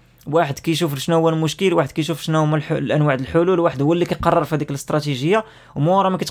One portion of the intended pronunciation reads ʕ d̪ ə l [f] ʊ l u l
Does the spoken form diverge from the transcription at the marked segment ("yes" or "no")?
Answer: yes